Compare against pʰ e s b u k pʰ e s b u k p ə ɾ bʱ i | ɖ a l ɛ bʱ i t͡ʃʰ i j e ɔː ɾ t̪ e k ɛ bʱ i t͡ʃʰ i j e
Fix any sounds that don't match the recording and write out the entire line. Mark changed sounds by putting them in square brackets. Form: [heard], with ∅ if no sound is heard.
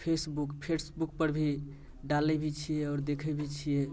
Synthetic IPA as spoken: pʰ e s b u k pʰ e s b u k p ə ɾ bʱ i | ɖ a l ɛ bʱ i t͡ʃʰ i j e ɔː ɾ [d̪] e [kʰ] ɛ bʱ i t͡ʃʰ i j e